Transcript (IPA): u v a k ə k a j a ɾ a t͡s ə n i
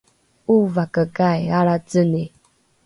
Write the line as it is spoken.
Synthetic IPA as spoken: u v a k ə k a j a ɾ a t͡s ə n i